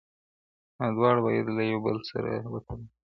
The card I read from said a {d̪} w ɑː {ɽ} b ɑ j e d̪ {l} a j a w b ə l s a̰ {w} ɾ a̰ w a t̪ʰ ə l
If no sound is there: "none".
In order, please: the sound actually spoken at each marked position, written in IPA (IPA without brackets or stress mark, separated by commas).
d̪, ɽ, l, none